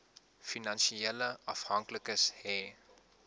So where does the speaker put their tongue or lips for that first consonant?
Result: lips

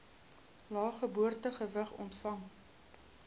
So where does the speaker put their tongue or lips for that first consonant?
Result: tongue tip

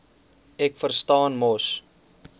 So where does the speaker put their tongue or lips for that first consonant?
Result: velum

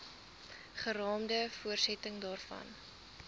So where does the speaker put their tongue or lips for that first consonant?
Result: uvula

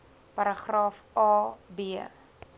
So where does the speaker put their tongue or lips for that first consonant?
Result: lips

